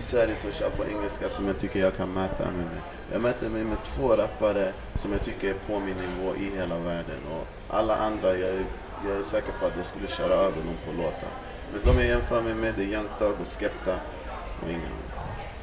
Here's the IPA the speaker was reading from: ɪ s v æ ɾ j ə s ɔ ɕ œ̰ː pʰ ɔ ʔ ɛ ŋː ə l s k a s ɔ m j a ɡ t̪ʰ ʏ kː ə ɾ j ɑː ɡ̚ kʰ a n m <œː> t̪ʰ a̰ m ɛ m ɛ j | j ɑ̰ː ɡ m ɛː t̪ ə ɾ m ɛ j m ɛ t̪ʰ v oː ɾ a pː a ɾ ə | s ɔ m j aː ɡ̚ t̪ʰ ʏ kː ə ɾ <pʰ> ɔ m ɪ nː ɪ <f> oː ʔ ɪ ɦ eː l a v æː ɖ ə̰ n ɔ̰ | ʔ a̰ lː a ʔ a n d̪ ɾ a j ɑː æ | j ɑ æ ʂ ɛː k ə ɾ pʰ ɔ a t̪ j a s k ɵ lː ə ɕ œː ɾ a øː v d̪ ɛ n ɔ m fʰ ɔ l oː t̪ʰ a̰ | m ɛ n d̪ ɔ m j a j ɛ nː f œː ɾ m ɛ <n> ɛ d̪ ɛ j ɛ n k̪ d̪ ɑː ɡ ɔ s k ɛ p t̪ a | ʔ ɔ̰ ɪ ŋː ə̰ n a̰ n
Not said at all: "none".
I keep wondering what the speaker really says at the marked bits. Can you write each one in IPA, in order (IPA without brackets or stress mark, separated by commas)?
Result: ɛː, pʰ, v, m